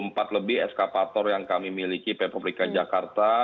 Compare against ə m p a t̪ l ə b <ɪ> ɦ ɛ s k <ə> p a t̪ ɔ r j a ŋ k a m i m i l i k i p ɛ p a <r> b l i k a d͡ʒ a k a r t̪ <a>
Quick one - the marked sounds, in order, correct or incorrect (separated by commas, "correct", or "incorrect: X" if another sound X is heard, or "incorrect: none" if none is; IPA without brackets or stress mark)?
correct, incorrect: a, incorrect: none, correct